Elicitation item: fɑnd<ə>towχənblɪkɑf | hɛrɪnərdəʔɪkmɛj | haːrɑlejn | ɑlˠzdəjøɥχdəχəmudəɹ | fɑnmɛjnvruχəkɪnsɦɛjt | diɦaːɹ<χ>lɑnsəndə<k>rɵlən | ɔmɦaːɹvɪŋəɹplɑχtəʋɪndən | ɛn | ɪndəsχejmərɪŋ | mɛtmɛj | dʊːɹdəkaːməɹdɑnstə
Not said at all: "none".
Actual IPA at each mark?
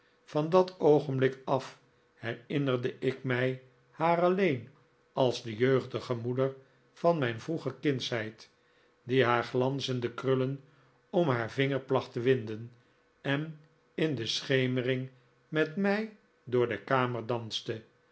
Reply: ɑ, χ, k

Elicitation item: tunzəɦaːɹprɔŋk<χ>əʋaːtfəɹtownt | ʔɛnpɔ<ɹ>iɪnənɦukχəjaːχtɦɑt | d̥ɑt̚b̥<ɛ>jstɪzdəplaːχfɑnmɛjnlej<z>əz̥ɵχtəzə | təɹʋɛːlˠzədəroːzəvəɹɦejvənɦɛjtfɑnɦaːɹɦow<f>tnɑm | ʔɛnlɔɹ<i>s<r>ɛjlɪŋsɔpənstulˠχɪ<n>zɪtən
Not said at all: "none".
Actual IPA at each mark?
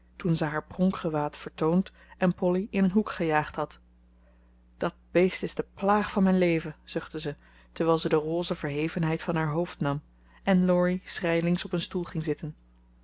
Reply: χ, l, e, v, f, i, r, ŋ

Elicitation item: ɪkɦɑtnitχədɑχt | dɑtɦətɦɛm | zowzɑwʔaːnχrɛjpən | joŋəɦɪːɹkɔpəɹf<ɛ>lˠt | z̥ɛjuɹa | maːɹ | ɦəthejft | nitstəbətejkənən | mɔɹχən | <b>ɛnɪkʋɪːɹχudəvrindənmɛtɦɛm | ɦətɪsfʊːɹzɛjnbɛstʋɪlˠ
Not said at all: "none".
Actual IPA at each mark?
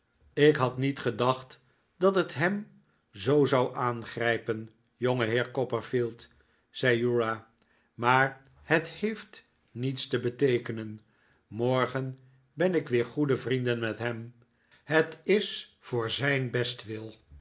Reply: i, b

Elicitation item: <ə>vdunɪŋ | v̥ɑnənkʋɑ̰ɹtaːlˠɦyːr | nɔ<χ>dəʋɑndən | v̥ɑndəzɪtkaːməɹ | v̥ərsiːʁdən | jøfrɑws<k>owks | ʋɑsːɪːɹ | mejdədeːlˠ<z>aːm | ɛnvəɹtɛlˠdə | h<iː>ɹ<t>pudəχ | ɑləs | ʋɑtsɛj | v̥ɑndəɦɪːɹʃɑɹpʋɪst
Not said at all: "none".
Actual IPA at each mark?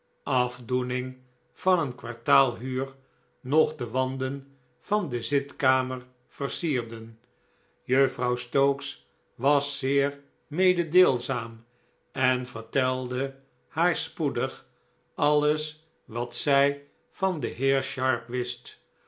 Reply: ɑ, χ, t, z, aː, s

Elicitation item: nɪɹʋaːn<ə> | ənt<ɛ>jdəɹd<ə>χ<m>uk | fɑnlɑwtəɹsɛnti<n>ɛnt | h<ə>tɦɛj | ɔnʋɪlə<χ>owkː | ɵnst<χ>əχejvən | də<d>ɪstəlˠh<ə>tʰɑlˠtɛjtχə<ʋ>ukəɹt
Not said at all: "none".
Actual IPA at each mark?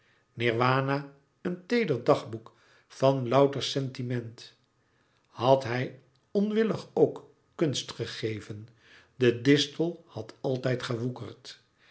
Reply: a, e, ɑ, b, m, ɑ, χ, χ, d, ɑ, ʋ

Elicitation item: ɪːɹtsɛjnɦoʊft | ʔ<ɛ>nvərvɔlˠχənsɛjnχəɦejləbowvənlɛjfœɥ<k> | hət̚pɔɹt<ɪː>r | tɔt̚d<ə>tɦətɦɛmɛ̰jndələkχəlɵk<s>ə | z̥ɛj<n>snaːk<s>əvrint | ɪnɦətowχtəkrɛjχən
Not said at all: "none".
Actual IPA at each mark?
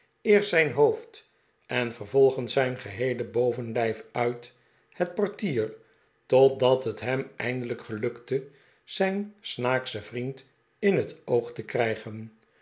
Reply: ɛ, t, iː, ɑ, t, n, s

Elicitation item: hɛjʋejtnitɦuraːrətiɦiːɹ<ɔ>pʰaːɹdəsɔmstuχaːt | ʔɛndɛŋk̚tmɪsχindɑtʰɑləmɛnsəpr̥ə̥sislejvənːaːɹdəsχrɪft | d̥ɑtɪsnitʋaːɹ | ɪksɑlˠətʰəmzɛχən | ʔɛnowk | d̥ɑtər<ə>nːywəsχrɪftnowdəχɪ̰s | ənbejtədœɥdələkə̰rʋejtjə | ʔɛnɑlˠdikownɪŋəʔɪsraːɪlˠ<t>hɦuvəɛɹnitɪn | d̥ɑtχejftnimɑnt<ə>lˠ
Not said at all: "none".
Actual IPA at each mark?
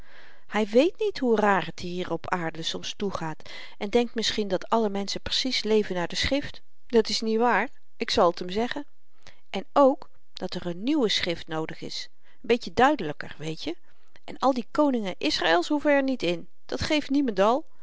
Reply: ɔ, ə, s, ɑ

